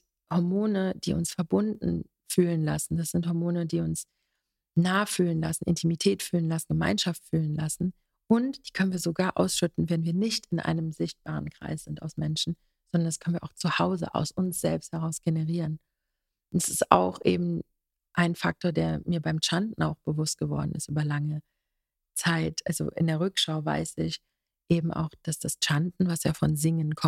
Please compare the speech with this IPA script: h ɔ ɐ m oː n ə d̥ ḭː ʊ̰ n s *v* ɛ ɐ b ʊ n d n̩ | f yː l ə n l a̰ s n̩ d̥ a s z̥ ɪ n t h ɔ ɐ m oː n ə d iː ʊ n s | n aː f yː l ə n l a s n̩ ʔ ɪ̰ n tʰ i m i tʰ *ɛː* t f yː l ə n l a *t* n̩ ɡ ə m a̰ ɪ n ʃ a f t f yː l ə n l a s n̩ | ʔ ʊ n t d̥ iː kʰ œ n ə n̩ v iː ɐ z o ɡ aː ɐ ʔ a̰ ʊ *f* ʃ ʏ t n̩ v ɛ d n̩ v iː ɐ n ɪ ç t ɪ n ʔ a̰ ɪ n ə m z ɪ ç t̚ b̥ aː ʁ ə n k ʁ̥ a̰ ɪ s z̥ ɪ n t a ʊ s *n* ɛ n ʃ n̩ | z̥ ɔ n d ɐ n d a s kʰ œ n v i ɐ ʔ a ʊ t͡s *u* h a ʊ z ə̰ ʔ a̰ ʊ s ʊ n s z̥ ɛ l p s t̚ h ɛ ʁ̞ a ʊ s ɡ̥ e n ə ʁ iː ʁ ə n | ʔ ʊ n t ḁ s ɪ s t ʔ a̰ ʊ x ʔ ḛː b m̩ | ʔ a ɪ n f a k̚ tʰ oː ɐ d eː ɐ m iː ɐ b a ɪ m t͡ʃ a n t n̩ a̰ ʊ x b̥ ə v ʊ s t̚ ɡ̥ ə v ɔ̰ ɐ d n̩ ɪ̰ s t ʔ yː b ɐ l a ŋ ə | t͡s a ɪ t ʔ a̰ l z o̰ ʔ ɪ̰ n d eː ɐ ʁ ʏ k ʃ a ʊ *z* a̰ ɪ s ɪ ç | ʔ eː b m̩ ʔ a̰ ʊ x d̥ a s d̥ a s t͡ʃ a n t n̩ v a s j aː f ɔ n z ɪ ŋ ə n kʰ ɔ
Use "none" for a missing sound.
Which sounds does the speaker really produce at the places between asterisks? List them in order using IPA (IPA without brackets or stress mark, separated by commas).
f, ɛː, s, s, m, u, v